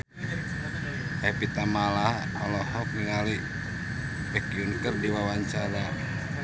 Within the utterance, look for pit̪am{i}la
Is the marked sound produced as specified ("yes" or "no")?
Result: no